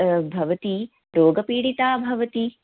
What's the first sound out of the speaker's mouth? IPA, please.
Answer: bʱ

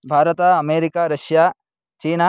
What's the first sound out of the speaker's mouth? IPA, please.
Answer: bʱ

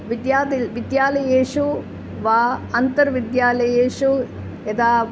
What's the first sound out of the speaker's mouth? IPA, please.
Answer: ʋ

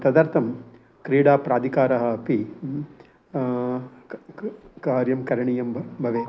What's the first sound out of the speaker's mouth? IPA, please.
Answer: t̪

